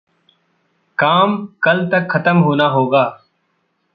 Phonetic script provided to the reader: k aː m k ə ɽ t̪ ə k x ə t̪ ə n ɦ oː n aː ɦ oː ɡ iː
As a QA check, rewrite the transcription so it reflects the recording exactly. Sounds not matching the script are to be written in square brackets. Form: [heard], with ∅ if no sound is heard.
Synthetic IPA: k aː m k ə [l] t̪ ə k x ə t̪ ə [m] ɦ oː n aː ɦ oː ɡ [aː]